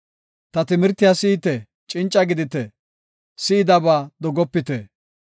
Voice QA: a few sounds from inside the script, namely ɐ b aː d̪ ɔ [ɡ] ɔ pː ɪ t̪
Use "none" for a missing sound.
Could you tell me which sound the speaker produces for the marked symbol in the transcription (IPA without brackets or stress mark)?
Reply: ɡ